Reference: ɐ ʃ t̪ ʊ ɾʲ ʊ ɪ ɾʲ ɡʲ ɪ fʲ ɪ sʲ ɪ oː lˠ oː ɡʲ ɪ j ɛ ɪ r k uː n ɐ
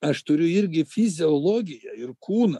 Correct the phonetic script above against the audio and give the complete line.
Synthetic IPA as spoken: ɐ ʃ t̪ ʊ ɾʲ ʊ ɪ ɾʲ ɡʲ ɪ fʲ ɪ zʲ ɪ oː lˠ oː ɡʲ ɪ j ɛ ɪ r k uː n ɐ